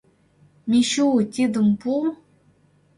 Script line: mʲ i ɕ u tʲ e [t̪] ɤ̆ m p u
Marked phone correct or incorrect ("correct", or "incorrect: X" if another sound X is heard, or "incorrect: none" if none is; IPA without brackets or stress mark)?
incorrect: d̪